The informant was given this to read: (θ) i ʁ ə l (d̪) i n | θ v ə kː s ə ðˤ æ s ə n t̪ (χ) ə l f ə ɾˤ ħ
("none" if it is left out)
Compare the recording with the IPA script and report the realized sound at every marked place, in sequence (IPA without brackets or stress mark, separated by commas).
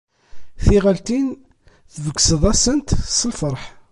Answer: θ, t̪, s